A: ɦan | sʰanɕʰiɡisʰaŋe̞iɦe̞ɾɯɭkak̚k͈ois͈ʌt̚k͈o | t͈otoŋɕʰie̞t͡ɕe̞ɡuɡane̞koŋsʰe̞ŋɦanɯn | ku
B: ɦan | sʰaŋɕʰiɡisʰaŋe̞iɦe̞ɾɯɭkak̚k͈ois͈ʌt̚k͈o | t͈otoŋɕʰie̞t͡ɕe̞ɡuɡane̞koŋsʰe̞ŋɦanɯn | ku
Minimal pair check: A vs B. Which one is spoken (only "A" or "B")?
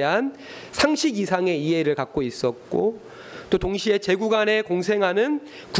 B